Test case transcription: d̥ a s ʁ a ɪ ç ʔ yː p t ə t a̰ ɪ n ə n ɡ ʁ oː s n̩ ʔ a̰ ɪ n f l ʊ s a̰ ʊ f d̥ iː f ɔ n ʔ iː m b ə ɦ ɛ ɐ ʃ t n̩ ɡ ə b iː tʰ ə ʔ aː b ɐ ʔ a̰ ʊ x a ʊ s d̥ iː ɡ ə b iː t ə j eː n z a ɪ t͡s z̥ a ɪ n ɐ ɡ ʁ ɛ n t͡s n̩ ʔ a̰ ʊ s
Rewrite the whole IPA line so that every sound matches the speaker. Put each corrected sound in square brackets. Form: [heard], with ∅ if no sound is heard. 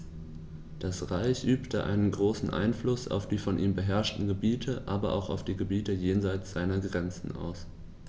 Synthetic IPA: d̥ a s ʁ a ɪ ç ʔ yː p t ə [ʔ] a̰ ɪ n ə n ɡ ʁ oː s n̩ ʔ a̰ ɪ n f l ʊ s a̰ ʊ f d̥ iː f ɔ n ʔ iː m b ə ɦ ɛ ɐ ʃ t n̩ ɡ ə b iː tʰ ə ʔ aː b ɐ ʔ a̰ ʊ x a ʊ [f] d̥ iː ɡ ə b iː t ə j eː n z a ɪ t͡s z̥ a ɪ n ɐ ɡ ʁ ɛ n t͡s n̩ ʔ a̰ ʊ s